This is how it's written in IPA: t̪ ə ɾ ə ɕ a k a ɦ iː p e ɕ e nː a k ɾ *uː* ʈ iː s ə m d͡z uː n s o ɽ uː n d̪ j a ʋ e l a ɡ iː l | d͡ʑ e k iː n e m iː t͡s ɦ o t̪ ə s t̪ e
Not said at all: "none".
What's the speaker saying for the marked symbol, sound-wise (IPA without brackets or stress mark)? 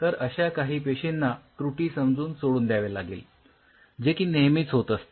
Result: u